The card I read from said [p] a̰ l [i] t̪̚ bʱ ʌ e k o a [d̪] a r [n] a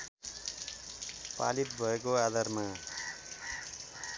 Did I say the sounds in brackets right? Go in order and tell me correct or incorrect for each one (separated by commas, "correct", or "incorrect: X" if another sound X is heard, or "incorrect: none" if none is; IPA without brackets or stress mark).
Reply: correct, correct, correct, incorrect: m